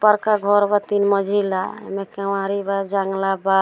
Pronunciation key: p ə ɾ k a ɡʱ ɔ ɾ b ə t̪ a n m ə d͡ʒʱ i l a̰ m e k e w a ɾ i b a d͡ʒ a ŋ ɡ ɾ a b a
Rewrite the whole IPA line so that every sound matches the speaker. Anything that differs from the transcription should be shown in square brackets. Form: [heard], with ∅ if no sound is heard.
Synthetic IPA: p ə ɾ k a ɡʱ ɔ ɾ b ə t̪ [i] n m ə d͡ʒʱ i l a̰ m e k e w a ɾ i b a d͡ʒ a ŋ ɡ [l] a b a